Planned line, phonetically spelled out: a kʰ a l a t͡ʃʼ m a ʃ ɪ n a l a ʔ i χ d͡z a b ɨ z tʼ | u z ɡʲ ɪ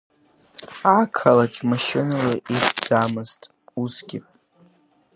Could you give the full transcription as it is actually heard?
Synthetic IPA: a kʰ a l a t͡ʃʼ m a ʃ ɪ n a l a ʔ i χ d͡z a m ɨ z tʼ | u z ɡʲ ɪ